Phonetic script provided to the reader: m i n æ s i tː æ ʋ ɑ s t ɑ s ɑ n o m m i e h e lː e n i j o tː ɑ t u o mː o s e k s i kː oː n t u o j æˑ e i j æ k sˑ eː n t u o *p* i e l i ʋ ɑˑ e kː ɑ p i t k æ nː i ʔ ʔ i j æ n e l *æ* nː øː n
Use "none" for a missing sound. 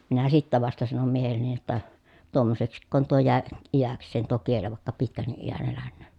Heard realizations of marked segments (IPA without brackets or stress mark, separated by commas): k, æ